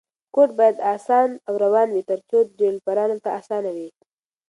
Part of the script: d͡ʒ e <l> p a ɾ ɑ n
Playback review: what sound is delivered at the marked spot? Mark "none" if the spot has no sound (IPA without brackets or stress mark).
l